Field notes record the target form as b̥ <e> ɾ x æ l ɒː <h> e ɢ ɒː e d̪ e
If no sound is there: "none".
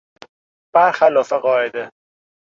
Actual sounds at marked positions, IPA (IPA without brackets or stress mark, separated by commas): æ, f